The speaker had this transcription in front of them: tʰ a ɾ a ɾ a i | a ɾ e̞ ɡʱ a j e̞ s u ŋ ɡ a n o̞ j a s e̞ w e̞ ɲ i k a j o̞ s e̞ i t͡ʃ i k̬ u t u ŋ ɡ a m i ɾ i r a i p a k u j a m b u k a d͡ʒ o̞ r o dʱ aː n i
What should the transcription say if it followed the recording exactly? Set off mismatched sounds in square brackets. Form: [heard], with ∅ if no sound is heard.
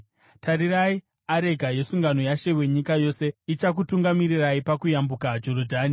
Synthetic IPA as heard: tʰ a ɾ [i] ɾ a i | a ɾ e̞ ɡʱ a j e̞ s u ŋ ɡ a n o̞ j a [ʃ] e̞ w e̞ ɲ i k a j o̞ s e̞ i t͡ʃ [a] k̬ u t u ŋ ɡ a m i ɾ i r a i p a k u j a m b u k a d͡ʒ o̞ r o dʱ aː n i